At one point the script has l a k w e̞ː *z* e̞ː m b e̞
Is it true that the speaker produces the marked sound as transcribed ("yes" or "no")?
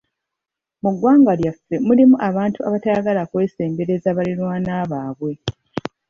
no